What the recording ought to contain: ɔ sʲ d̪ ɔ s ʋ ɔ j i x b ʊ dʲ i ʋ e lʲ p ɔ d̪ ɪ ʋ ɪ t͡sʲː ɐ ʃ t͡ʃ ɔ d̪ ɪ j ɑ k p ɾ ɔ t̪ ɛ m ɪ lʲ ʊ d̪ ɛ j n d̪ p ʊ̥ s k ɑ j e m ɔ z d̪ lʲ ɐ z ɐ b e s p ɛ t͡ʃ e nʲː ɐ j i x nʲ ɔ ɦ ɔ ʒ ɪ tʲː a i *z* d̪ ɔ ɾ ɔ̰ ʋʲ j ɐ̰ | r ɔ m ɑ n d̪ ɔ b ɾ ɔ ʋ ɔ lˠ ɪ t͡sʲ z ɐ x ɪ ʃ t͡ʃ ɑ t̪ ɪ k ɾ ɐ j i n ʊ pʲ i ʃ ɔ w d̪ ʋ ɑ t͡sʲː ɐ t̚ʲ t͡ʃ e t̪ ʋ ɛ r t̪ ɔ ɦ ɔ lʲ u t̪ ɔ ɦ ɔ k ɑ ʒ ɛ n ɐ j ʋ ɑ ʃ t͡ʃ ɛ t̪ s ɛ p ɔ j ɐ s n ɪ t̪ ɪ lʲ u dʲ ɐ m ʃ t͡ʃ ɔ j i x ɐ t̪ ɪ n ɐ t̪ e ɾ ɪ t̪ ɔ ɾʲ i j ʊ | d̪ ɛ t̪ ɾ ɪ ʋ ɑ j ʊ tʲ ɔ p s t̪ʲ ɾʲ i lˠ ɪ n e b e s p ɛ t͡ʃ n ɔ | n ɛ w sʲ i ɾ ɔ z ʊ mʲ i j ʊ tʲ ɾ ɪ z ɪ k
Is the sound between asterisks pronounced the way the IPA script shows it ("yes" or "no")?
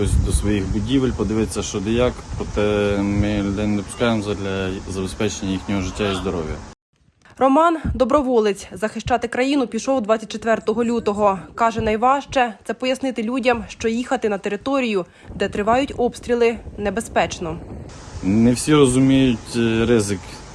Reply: yes